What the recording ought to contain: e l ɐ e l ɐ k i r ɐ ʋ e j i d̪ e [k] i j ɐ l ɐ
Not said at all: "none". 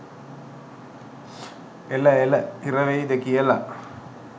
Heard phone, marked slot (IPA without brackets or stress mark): k